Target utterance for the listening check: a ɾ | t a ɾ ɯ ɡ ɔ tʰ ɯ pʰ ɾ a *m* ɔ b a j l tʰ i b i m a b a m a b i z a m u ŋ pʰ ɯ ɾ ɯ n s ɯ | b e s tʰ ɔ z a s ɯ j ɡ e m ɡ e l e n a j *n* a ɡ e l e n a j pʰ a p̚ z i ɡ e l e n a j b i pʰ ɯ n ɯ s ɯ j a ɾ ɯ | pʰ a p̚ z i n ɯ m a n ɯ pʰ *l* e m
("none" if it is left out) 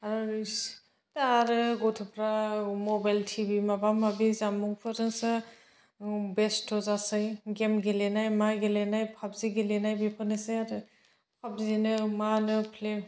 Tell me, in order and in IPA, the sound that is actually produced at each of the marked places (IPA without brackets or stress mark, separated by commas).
m, m, l